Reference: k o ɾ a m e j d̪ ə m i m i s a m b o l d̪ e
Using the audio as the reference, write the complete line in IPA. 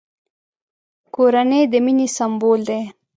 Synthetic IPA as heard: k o ɾ a n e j d̪ ə m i n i s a m b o l d̪ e